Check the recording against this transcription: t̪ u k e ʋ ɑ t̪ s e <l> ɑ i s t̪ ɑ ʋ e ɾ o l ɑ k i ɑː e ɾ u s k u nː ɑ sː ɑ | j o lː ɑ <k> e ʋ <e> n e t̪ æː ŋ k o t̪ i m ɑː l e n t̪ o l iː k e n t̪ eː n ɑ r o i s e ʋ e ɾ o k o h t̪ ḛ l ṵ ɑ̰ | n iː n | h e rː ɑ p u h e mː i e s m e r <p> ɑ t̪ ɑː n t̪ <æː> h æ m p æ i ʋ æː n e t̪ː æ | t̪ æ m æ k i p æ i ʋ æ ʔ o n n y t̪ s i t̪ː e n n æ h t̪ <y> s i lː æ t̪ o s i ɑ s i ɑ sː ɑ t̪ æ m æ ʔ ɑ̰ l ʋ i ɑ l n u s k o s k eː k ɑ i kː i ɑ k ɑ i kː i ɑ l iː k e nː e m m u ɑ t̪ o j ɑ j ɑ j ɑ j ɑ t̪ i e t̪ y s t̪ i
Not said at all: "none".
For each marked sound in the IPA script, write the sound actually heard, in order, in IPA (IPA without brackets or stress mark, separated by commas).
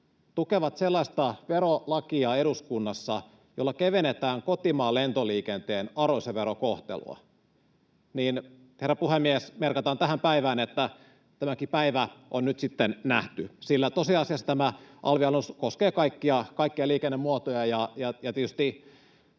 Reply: lː, k, e, k, æ, y